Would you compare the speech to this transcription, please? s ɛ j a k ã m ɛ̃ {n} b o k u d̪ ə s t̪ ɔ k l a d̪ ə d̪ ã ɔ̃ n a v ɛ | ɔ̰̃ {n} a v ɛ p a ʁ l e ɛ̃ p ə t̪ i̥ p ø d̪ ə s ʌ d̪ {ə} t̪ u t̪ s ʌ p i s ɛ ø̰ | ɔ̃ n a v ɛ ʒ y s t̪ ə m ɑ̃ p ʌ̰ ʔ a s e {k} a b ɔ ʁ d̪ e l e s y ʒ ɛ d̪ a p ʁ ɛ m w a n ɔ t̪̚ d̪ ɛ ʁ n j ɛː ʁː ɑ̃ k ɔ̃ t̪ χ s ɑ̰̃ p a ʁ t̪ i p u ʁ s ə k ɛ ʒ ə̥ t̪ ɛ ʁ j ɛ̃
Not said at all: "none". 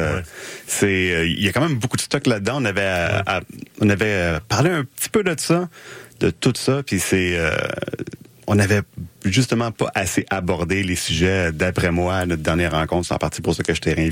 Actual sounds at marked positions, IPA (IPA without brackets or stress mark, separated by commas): m, n, ə, ʔ